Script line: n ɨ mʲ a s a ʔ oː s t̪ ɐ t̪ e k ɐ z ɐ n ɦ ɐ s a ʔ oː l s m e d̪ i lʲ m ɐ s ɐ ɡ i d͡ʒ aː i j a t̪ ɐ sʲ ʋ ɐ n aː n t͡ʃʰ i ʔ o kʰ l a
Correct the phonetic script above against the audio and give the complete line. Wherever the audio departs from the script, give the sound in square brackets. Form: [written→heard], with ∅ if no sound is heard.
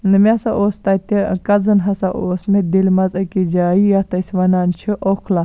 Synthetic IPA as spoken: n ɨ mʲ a s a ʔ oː s t̪ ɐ t̪ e k ɐ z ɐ n ɦ ɐ s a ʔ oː [l→∅] s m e d̪ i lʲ m ɐ [s→z] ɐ [ɡ→k] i d͡ʒ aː i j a t̪ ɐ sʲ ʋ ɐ n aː n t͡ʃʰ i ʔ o kʰ l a